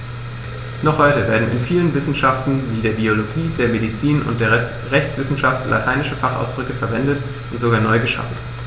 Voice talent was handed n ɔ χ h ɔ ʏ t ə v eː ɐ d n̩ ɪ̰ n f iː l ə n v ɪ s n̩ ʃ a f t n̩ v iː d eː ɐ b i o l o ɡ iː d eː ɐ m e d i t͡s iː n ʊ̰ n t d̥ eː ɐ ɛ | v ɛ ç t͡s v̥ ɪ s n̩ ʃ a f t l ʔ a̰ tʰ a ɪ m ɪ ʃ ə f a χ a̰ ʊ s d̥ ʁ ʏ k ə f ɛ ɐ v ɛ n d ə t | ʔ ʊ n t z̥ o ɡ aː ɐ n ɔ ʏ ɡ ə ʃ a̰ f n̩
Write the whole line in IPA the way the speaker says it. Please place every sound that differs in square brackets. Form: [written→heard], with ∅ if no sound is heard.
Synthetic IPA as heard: n ɔ χ h ɔ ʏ t ə v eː ɐ d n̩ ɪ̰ n f iː l ə n v ɪ s n̩ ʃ a f t n̩ v iː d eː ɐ b i o l o ɡ iː d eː ɐ m e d i t͡s iː n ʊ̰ n t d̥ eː ɐ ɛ | [v→ʁ] ɛ ç t͡s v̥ ɪ s n̩ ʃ a f t l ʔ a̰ tʰ a ɪ [m→n] ɪ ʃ ə f a χ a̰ ʊ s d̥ ʁ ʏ k ə f ɛ ɐ v ɛ n d ə t | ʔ ʊ n t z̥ o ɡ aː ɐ n ɔ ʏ ɡ ə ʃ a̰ f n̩